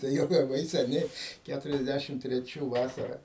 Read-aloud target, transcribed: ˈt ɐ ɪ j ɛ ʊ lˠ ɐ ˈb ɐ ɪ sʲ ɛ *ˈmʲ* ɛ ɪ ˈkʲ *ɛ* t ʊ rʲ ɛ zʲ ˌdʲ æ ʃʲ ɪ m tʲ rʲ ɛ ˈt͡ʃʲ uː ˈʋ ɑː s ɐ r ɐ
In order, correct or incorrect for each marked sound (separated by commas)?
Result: incorrect, incorrect